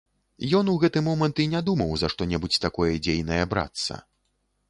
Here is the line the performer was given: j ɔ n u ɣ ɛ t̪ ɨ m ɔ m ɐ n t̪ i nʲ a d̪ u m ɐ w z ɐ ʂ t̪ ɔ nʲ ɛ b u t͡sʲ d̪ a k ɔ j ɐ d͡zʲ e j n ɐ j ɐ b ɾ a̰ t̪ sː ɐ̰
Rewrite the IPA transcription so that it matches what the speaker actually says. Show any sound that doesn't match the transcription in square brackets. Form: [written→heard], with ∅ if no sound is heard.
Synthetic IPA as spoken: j ɔ n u ɣ ɛ t̪ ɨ m ɔ m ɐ n t̪ i nʲ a d̪ u m ɐ w z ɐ ʂ t̪ ɔ nʲ ɛ b u t͡sʲ [d̪→t̪] a k ɔ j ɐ d͡zʲ e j n ɐ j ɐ b ɾ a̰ t̪ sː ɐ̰

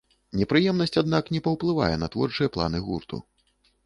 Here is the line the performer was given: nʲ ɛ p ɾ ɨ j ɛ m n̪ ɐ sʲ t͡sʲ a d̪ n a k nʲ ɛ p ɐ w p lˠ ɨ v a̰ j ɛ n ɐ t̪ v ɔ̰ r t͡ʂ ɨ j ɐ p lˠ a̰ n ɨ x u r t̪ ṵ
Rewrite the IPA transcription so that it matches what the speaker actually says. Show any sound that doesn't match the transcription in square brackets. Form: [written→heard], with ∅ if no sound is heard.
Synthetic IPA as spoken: nʲ ɛ p ɾ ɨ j ɛ m n̪ ɐ sʲ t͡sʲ a d̪ n a k nʲ ɛ p ɐ w p lˠ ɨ v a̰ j ɛ n ɐ t̪ v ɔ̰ r t͡ʂ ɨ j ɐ p lˠ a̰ n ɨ [x→ɣ] u r t̪ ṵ

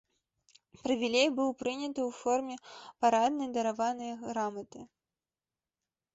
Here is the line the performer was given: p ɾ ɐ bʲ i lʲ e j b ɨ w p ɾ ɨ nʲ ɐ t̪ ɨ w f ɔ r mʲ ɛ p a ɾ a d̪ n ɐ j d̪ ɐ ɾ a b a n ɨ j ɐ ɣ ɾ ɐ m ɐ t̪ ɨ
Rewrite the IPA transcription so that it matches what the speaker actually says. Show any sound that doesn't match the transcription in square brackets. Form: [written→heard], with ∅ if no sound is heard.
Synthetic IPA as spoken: p ɾ ɐ [bʲ→vʲ] i lʲ e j b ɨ w p ɾ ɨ nʲ ɐ t̪ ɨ w f ɔ r mʲ ɛ p a ɾ a d̪ n ɐ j d̪ ɐ ɾ a [b→v] a n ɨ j ɐ ɣ ɾ [ɐ→a] m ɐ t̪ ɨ

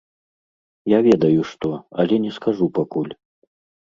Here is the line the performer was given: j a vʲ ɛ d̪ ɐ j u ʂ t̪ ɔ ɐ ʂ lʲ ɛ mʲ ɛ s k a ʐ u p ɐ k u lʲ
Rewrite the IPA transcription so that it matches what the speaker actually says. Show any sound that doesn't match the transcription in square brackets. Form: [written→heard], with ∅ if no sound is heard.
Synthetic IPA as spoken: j a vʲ ɛ d̪ ɐ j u ʂ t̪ ɔ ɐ [ʂ→∅] lʲ ɛ [mʲ→nʲ] ɛ s k a ʐ u p [ɐ→a] k u lʲ

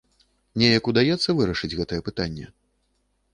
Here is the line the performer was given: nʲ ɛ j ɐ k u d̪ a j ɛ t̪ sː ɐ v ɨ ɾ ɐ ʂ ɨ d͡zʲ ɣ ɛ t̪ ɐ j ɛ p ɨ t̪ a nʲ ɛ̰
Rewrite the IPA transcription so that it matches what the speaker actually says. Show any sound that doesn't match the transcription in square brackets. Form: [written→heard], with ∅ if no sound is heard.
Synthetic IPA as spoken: nʲ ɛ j ɐ k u d̪ a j ɛ t̪ sː ɐ v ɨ ɾ ɐ ʂ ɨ d͡zʲ ɣ ɛ t̪ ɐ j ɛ p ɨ t̪ a [nʲ→nʲː] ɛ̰

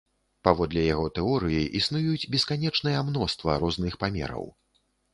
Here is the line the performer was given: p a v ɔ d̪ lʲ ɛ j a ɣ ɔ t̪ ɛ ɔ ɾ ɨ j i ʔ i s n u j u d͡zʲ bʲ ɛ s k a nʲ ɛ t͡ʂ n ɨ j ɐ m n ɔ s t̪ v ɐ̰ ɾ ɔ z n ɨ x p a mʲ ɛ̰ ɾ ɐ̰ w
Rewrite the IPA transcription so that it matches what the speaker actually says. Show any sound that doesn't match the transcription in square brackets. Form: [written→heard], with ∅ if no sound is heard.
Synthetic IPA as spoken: p a v ɔ d̪ lʲ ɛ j a ɣ ɔ t̪ ɛ ɔ ɾ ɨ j i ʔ i s n u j u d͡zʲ bʲ ɛ s k a nʲ ɛ t͡ʂ n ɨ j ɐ m n ɔ s t̪ v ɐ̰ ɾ ɔ z n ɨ x p a mʲ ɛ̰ ɾ ɐ̰ w

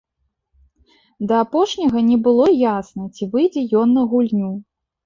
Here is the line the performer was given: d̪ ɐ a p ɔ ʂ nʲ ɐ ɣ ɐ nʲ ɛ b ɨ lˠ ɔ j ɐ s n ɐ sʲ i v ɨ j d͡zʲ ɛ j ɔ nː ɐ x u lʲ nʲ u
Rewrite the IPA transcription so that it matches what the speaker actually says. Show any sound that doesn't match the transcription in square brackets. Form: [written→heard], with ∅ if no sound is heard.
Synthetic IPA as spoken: d̪ ɐ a p ɔ ʂ nʲ ɐ ɣ ɐ nʲ ɛ b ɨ lˠ ɔ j [ɐ→a] s n ɐ [sʲ→t͡sʲ] i v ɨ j d͡zʲ ɛ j ɔ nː ɐ [x→ɣ] u lʲ nʲ u

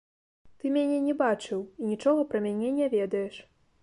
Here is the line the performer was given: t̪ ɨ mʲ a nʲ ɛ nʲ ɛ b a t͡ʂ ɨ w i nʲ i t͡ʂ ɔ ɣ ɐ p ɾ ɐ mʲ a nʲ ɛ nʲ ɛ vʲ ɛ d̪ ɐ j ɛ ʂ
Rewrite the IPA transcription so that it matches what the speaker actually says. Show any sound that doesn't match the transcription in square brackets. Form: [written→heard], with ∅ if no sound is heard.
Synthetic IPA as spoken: t̪ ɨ mʲ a nʲ ɛ nʲ ɛ b a t͡ʂ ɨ w i nʲ i t͡ʂ ɔ ɣ ɐ p ɾ ɐ mʲ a nʲ ɛ nʲ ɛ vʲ ɛ d̪ ɐ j ɛ ʂ

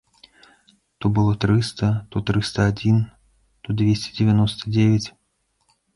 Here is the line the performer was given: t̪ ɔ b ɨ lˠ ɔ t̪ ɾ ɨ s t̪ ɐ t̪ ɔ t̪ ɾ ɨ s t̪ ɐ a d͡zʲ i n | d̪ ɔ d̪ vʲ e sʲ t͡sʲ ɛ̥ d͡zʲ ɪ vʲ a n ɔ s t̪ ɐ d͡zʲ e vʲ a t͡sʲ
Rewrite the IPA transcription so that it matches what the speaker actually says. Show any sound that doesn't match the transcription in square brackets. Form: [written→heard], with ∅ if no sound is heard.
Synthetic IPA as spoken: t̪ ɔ b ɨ lˠ ɔ t̪ ɾ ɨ s t̪ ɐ t̪ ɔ t̪ ɾ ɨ s t̪ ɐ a d͡zʲ i n | [d̪→t̪] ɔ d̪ vʲ e sʲ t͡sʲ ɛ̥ d͡zʲ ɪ vʲ a n ɔ s t̪ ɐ d͡zʲ e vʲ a t͡sʲ

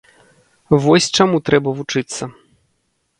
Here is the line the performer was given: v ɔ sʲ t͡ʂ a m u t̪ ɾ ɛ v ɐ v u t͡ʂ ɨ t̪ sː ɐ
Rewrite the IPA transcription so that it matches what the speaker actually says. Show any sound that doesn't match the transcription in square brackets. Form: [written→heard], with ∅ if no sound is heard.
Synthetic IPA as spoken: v ɔ sʲ t͡ʂ a m u t̪ ɾ ɛ [v→b] ɐ v u t͡ʂ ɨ t̪ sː ɐ

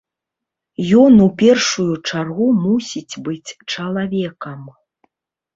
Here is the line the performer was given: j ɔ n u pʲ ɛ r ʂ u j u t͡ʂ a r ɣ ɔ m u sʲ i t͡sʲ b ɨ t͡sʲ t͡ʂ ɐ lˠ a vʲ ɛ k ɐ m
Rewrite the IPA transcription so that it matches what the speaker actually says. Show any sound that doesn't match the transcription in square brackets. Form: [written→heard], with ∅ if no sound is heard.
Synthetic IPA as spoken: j ɔ n u pʲ ɛ r ʂ u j u t͡ʂ a r ɣ [ɔ→u] m u sʲ i t͡sʲ b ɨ t͡sʲ t͡ʂ ɐ lˠ a vʲ ɛ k ɐ m

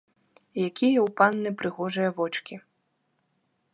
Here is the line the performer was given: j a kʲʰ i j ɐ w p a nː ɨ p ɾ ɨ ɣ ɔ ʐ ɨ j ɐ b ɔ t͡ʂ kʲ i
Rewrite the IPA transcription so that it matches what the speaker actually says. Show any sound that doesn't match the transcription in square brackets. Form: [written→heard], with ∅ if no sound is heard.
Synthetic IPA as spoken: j a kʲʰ i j ɐ w p a nː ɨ p ɾ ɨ ɣ ɔ ʐ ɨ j ɐ [b→v] ɔ t͡ʂ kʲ i

